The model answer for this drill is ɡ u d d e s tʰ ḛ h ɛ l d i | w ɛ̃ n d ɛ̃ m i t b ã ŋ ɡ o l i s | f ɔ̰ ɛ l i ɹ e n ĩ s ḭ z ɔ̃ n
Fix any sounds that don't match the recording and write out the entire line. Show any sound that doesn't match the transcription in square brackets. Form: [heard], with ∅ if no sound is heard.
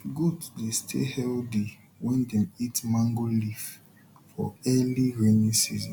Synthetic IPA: ɡ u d d e s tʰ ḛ h ɛ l d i | w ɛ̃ n d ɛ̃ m i t [m] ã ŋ ɡ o l i [f] | f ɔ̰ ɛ l i ɹ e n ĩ s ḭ z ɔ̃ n